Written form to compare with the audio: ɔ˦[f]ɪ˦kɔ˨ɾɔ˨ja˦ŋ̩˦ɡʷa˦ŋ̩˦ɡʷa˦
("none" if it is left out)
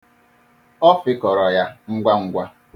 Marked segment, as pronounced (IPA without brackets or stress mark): f